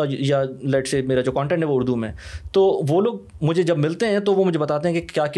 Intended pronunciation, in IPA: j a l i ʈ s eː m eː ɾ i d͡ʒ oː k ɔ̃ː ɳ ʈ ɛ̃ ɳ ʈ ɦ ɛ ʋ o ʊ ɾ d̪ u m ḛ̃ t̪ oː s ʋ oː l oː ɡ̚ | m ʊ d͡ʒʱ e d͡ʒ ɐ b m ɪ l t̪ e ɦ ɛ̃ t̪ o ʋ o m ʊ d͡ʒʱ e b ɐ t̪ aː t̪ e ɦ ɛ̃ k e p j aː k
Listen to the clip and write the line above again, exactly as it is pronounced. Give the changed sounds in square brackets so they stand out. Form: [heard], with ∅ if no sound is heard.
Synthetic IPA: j a l [ɛ] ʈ s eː m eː ɾ [a] d͡ʒ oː k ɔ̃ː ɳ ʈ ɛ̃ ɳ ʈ ɦ ɛ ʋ o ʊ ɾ d̪ u m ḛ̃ t̪ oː [∅] ʋ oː l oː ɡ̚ | m ʊ d͡ʒʱ e d͡ʒ ɐ b m ɪ l t̪ e ɦ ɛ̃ t̪ o ʋ o m ʊ d͡ʒʱ e b ɐ t̪ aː t̪ e ɦ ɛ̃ k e [k] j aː k